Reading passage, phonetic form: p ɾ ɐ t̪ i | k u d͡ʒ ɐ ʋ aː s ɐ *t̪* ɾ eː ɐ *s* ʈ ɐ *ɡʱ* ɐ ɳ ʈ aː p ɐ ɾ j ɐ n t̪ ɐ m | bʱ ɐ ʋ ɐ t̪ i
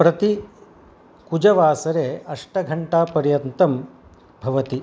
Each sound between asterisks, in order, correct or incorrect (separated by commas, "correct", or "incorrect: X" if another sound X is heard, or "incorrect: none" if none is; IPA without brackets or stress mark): incorrect: none, incorrect: ʂ, correct